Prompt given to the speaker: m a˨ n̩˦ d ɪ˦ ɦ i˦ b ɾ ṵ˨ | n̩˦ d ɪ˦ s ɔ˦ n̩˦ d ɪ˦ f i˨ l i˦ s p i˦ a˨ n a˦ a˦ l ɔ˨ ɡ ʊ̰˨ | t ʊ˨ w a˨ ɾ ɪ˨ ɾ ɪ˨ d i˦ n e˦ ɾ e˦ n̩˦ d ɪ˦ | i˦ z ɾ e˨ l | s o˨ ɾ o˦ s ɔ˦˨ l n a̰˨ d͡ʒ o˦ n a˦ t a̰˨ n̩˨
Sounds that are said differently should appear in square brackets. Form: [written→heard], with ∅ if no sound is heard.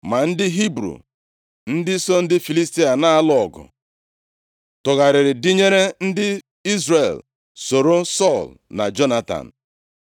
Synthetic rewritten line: m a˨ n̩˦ d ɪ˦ ɦ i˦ b ɾ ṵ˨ | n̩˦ d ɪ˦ s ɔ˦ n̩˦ d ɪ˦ f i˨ l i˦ s [p→t] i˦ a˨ n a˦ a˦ l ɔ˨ ɡ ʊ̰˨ | t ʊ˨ [w→ɣ] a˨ ɾ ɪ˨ ɾ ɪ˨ d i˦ [n→ɲ] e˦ ɾ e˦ n̩˦ d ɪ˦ | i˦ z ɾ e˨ l | s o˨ ɾ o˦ s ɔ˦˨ l n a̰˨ d͡ʒ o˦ n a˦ t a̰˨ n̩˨